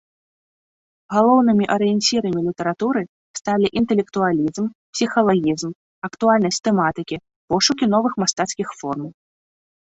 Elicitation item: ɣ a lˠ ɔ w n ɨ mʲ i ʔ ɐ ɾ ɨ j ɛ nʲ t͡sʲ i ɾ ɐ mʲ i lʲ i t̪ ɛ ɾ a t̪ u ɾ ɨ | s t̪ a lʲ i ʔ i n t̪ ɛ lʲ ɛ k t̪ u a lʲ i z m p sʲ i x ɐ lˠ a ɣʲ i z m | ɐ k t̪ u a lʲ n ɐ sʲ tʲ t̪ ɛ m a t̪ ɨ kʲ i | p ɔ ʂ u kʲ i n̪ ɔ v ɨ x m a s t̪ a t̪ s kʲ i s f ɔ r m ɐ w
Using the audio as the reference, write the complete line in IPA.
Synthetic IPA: ɣ a lˠ ɔ w n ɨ mʲ i ʔ ɐ ɾ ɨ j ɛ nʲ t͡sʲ i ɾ ɐ mʲ i lʲ i t̪ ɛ ɾ a t̪ u ɾ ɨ | s t̪ a lʲ i ʔ i n t̪ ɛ lʲ ɛ k t̪ u a lʲ i z m p sʲ i x ɐ lˠ a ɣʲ i z m | ɐ k t̪ u a lʲ n ɐ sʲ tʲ t̪ ɛ m a t̪ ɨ kʲ i | p ɔ ʂ u kʲ i n̪ ɔ v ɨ x m a s t̪ a t̪ s kʲ i x f ɔ r m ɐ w